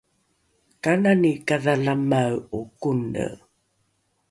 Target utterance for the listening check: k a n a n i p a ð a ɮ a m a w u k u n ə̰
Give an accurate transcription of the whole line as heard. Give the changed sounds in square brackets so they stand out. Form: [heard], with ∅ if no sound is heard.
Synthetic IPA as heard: k a n a n i [k] a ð a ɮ a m a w u k u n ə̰